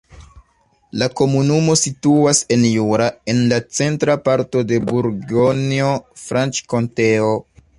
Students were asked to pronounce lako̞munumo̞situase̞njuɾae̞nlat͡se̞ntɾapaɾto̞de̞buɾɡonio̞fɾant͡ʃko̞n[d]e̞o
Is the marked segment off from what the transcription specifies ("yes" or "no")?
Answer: yes